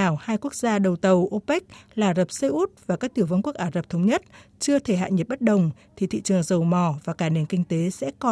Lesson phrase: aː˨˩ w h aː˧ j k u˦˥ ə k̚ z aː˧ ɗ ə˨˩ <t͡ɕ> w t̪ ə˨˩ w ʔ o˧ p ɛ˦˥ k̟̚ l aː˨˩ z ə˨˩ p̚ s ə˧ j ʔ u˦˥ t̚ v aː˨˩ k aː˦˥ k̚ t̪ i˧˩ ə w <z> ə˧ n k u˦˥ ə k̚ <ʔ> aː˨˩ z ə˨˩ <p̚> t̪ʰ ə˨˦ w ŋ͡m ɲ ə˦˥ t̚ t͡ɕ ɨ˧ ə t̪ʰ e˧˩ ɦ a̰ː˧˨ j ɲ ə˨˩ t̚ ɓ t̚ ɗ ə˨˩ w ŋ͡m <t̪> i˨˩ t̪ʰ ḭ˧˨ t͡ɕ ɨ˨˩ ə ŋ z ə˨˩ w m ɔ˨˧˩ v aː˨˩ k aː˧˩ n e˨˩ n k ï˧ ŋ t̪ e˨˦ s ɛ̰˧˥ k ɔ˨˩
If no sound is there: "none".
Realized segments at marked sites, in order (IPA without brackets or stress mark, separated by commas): none, v, ʔ, p̚, t̪ʰ